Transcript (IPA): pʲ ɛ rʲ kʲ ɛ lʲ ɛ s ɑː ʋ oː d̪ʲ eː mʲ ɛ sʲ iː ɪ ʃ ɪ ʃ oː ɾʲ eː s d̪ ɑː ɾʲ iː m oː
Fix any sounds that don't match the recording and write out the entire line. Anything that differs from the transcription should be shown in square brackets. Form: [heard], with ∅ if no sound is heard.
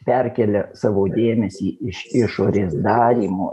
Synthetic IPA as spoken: pʲ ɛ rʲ kʲ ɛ lʲ ɛ s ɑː ʋ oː d̪ʲ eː mʲ ɛ sʲ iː ɪ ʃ ɪ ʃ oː ɾʲ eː s d̪ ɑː ɾʲ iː m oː